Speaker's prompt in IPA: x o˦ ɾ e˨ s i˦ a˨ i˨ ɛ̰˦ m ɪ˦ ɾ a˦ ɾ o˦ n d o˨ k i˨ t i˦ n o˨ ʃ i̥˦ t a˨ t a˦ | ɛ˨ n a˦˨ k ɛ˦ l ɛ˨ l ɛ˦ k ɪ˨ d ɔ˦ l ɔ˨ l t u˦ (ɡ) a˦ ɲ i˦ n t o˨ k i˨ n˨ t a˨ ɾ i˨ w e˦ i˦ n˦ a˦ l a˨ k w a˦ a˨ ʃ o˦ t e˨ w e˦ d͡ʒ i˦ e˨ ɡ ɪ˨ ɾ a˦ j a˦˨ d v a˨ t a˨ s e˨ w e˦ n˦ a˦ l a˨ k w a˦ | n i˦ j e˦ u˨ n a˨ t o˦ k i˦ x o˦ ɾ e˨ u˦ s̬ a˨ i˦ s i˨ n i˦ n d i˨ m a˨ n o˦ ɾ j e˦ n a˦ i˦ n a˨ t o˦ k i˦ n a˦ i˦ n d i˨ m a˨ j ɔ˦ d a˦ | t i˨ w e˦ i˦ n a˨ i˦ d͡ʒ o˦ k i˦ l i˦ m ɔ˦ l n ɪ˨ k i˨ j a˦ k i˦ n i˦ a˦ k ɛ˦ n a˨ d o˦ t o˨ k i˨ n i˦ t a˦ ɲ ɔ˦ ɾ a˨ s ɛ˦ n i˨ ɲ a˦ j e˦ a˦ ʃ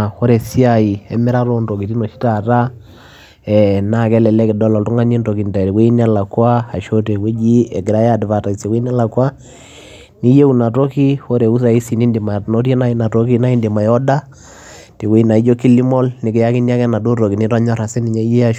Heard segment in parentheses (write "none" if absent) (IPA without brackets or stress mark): ŋ